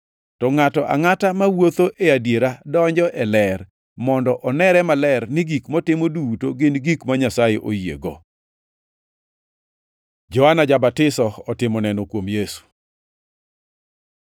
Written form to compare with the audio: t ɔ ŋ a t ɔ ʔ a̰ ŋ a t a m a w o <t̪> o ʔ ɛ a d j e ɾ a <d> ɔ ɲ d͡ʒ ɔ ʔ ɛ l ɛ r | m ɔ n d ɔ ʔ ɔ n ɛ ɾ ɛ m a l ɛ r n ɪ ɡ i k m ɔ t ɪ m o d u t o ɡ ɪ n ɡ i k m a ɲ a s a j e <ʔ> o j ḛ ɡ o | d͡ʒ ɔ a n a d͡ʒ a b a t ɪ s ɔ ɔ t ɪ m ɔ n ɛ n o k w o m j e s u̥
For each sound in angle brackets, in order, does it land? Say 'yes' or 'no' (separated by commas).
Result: yes, yes, yes